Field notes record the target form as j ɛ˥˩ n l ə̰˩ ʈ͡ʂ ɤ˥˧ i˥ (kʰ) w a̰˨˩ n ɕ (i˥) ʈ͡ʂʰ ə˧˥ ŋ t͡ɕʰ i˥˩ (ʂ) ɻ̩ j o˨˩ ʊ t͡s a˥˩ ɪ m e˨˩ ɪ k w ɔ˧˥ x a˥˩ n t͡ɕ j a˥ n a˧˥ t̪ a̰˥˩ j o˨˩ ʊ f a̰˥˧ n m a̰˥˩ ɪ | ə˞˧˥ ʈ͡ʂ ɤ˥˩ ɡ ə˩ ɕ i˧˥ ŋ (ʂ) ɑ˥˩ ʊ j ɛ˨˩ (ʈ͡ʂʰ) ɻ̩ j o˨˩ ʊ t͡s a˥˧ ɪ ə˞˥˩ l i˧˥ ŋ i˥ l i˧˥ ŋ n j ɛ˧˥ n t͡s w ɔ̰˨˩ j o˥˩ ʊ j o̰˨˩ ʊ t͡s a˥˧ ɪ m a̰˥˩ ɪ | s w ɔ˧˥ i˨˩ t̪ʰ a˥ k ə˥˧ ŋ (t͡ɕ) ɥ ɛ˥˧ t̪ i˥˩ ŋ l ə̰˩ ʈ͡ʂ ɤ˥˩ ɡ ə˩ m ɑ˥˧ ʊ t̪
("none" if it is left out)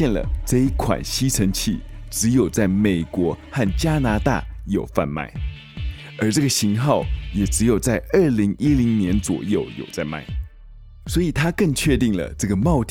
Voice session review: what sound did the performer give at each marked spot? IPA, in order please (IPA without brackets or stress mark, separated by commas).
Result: kʰ, i˥, ʈ͡ʂ, x, ʈ͡ʂ, t͡ɕʰ